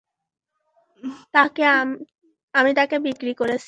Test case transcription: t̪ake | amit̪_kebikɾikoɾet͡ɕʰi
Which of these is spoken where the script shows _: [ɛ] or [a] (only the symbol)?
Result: a